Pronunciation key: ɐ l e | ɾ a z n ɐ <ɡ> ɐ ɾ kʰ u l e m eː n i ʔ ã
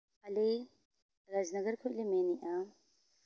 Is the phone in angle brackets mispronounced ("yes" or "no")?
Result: no